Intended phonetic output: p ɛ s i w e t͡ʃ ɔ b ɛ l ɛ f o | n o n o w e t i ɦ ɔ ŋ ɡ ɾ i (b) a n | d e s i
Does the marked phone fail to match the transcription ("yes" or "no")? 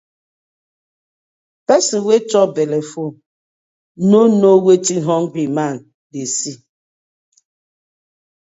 yes